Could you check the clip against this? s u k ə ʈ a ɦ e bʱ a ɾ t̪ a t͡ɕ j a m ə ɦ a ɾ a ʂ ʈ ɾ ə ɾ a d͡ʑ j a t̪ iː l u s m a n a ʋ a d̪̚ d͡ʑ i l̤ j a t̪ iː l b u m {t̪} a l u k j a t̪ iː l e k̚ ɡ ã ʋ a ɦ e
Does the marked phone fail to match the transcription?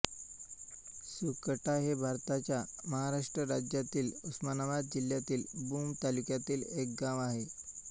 no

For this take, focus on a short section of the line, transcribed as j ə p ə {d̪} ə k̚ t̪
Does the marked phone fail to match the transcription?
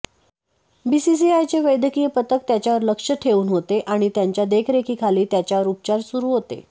yes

